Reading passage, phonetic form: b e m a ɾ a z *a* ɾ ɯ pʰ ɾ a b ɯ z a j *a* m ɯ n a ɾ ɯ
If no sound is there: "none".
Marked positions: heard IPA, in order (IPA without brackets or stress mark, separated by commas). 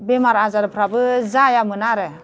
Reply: a, a